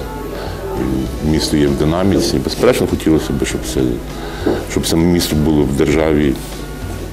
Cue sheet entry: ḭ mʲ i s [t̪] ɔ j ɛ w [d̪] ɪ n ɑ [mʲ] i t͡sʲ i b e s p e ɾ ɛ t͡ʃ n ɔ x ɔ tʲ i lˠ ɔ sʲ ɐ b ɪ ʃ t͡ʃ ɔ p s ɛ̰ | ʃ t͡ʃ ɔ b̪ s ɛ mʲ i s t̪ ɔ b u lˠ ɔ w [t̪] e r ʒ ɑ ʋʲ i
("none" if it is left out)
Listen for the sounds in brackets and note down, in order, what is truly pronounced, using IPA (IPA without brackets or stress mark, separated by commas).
t̪, d̪, mʲ, d̪